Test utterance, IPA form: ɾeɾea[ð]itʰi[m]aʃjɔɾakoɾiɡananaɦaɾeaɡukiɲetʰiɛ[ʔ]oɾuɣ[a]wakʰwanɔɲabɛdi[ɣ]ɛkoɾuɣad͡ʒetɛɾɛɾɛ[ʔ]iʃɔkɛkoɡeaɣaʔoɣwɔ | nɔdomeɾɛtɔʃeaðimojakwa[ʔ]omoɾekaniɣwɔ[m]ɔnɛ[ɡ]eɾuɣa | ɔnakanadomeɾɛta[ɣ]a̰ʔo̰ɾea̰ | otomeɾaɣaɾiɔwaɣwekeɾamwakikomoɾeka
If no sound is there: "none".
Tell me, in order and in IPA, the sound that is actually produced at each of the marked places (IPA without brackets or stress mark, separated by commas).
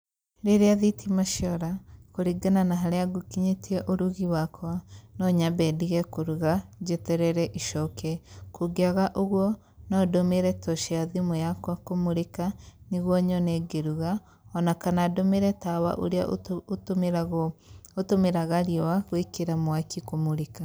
ð, m, ʔ, i, ɣ, ʔ, k, ɲ, ɡ, w